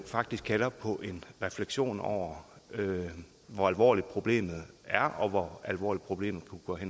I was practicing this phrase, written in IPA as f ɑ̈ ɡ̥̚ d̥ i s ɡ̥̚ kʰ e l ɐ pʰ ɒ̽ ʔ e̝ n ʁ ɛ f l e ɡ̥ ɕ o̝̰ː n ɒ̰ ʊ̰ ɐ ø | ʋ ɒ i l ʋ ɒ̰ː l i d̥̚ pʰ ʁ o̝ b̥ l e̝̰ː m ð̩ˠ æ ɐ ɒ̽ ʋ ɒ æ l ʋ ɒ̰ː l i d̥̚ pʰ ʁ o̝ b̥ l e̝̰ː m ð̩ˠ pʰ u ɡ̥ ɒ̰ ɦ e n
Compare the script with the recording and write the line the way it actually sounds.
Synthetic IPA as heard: f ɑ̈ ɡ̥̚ d̥ i s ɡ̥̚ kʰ æ l ɐ pʰ ɒ̽ ʔ e̝ n ʁ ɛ f l e ɡ̥ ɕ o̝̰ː n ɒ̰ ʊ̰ ɐ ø | ʋ ɒ æ l ʋ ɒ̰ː l i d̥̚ pʰ ʁ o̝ b̥ l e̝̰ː m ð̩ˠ æ ɐ ɒ̽ ʋ ɒ æ l ʋ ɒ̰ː l i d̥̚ pʰ ʁ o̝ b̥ l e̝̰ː m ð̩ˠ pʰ u ɡ̥ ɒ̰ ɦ e n

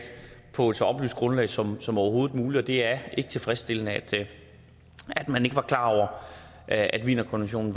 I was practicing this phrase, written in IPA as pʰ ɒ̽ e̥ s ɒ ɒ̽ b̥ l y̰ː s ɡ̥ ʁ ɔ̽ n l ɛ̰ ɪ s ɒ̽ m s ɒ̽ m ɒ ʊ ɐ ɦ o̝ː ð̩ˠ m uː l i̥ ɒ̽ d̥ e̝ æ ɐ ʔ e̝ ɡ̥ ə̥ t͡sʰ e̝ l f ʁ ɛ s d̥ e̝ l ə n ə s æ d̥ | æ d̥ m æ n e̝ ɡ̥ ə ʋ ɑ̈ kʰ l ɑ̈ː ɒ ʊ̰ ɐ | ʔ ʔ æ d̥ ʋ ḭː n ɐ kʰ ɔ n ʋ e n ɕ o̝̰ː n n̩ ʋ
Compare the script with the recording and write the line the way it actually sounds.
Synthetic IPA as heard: pʰ ɒ̽ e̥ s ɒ ɒ̽ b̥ l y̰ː s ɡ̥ ʁ ɔ̽ n l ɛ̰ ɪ s ɒ̽ m s ɒ̽ m ɒ ʊ ɐ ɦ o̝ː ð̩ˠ m uː l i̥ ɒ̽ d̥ e̝ æ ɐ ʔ e̝ ɡ̥ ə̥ t͡sʰ e̝ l f ʁ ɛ s d̥ e̝ l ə n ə æ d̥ | æ d̥ m æ n e̝ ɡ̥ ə ʋ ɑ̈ kʰ l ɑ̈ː ɒ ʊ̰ ɐ | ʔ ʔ æ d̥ ʋ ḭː n ɐ kʰ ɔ n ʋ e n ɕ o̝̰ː n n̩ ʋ

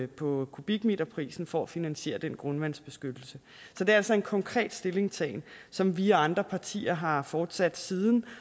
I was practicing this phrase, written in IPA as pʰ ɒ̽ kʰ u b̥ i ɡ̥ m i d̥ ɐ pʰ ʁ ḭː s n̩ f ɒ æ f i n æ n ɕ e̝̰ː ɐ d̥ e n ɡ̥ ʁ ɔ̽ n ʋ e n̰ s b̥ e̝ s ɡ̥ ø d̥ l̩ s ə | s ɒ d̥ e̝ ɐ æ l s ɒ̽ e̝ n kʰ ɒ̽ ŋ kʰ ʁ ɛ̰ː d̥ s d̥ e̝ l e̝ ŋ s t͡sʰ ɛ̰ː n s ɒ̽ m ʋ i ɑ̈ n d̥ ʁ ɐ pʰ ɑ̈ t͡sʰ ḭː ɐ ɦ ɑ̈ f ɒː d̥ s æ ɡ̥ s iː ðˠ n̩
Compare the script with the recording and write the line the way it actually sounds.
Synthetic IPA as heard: pʰ ɒ̽ kʰ u b̥ i ɡ̥ m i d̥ ɐ pʰ ʁ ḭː s n̩ f ɒ æ f i n æ n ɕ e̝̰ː ɐ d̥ e n ɡ̥ ʁ ɔ̽ n ʋ æ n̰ s b̥ e̝ s ɡ̥ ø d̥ l̩ s ə | s ɒ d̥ e̝ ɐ æ l s ɒ̽ e̝ n kʰ ɒ̽ ŋ kʰ ʁ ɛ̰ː d̥ s d̥ e̝ l e̝ ŋ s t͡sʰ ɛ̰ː n s ɒ̽ m ʋ i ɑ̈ n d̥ ʁ ɐ pʰ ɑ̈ t͡sʰ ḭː ɐ ɦ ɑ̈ f ɒː d̥ s æ d̥ s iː ðˠ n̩

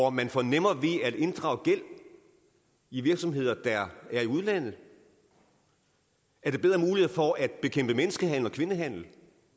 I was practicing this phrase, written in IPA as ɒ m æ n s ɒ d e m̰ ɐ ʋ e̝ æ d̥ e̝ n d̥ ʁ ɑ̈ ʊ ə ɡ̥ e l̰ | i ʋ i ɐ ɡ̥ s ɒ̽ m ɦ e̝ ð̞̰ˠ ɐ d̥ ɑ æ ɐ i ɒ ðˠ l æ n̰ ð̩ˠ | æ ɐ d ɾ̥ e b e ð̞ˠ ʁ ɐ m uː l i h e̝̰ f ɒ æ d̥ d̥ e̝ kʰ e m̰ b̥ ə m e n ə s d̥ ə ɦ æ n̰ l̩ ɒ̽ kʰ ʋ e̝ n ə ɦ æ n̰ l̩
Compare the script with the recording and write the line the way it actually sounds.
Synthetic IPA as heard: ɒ m æ n f ɒ n e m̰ ɐ ʋ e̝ æ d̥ e̝ n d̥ ʁ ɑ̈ ʊ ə ɡ̥ e l̰ | i ʋ i ɐ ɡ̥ s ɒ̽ m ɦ e̝ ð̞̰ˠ ɐ d̥ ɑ æ ɐ i u ðˠ l æ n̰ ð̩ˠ | æ ɐ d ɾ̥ e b e ð̞ˠ ʁ ɐ m uː l i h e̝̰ f ɒ æ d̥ b̥ e̝ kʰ e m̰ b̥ ə m e n ə s ɡ̥ ə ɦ æ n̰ l̩ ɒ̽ kʰ ʋ e̝ n ə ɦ æ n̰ l̩

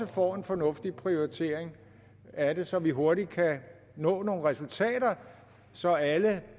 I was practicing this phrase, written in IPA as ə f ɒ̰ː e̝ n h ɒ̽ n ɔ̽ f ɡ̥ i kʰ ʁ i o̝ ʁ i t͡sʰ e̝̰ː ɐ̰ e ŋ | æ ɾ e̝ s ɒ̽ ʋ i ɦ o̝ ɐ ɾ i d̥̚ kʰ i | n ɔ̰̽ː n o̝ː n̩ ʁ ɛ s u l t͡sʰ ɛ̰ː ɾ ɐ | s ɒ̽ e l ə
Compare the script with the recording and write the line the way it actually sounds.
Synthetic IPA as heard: ə f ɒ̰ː e̝ n f ɒ̽ n ɔ̽ f d̥ i pʰ ʁ i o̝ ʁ i t͡sʰ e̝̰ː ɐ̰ e ŋ | æ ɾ e̝ s ɒ̽ ʋ i ɦ o̝ ɐ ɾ i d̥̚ kʰ æ | n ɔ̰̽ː n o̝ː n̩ ʁ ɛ s u l t͡sʰ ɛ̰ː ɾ ɐ | s ɒ̽ æ l ə

